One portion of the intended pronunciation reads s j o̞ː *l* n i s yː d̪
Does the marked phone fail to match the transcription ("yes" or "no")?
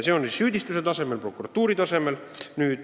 yes